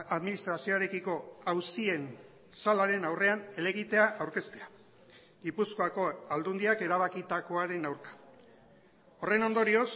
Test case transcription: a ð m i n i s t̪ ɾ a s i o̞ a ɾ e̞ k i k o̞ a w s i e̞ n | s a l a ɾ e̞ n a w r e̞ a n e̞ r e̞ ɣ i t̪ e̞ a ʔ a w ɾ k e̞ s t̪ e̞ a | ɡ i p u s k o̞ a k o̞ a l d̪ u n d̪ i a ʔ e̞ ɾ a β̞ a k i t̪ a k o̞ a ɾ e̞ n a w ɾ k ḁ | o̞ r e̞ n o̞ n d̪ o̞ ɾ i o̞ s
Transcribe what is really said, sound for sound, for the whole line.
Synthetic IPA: a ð m i n i s t̪ ɾ a s i o̞ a ɾ e̞ k i k o̞ a w s i e̞ n | s a l a ɾ e̞ n a w r e̞ a n e̞ l e̞ ɣ i t̪ e̞ a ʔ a w ɾ k e̞ s t̪ e̞ a | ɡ i p u s k o̞ a k o̞ a l d̪ u n d̪ i a k e̞ ɾ a β̞ a k i t̪ a k o̞ a ɾ e̞ n a w ɾ k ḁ | o̞ r e̞ n o̞ n d̪ o̞ ɾ i o̞ s